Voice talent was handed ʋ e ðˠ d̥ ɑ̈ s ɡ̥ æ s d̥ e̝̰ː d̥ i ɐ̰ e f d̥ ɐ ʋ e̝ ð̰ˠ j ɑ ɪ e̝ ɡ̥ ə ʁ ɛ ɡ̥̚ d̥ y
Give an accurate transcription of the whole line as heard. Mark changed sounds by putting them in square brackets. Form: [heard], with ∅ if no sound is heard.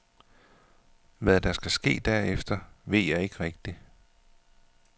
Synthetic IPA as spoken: ʋ [æ] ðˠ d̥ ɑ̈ s ɡ̥ æ s [ɡ̥] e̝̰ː d̥ [æ] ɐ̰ e f d̥ ɐ ʋ e̝ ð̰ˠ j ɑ ɪ e̝ ɡ̥ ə ʁ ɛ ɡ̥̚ d̥ [i]